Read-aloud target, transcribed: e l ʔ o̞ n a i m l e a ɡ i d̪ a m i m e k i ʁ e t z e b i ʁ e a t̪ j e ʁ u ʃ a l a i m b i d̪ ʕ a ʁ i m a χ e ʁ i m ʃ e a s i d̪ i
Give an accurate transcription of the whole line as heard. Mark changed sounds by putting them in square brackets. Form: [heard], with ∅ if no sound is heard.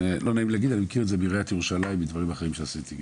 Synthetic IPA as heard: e l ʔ o̞ n a i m l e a ɡ i d̪ a [n] i m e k i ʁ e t z e b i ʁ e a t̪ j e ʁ u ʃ a l a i m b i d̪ [v] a ʁ i m a χ e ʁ i m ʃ e a s i [t̪] i

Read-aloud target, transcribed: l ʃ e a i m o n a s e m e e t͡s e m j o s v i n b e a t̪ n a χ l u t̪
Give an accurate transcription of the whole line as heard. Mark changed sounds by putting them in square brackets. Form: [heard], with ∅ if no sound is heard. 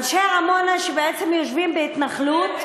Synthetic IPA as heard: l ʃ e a [a] m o n a [ʃ] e [b] e e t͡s e m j o [ʃ] v i [m] b e [i] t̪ n a χ l u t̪

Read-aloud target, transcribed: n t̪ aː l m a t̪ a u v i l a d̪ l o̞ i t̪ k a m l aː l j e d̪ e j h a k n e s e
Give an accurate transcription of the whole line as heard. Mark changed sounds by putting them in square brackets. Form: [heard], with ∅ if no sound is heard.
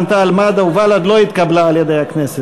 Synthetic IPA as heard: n t̪ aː l m a [d̪] a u v [a] l a d̪ l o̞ i t̪ k a [b] l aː l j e d̪ e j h a k n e s e

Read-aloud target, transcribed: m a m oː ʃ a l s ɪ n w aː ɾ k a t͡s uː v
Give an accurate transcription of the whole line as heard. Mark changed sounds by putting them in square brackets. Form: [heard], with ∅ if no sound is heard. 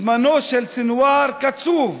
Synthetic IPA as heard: m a [n] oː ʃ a l s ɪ n w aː ɾ k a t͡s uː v

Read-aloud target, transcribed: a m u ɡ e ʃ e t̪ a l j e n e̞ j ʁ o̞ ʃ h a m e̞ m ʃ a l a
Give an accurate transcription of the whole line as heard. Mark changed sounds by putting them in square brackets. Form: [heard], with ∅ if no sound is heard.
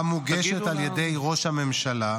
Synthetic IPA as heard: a m u ɡ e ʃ e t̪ a l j e [d] e̞ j ʁ o̞ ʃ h a m e̞ m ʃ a l a

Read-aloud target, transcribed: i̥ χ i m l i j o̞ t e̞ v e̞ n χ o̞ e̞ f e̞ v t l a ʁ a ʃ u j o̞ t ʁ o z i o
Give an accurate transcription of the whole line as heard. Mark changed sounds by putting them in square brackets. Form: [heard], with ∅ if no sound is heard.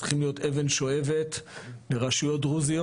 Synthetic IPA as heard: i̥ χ i m l i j o̞ t e̞ v e̞ n [ʃ] o̞ e̞ [v] e̞ [∅] t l [e] ʁ a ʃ u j o̞ t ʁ [u] z i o

